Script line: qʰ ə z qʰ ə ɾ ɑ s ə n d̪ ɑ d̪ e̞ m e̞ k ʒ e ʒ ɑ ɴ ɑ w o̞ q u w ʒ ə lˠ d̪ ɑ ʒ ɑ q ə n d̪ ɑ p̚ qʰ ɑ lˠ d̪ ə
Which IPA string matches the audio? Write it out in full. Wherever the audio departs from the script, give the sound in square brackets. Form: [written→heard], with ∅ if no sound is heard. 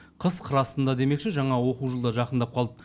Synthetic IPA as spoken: qʰ ə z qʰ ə ɾ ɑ s ə n d̪ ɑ d̪ e̞ m e̞ k [ʒ→ʃ] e ʒ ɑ ɴ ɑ w o̞ q u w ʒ ə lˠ d̪ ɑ ʒ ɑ q ə n d̪ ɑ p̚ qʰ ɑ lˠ d̪ ə